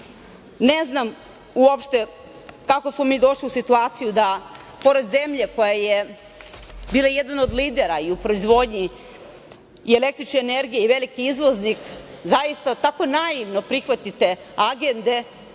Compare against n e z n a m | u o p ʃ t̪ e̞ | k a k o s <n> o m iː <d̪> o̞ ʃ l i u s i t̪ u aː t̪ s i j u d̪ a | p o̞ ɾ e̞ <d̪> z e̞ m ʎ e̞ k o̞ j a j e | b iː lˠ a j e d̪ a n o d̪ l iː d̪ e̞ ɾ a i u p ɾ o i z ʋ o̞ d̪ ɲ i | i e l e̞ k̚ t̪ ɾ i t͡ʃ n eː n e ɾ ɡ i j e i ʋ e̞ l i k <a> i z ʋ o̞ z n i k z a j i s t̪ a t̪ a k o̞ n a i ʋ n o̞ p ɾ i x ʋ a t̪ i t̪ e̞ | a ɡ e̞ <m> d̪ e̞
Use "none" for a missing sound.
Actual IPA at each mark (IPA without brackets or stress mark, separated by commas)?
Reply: m, d̪, d̪, i, n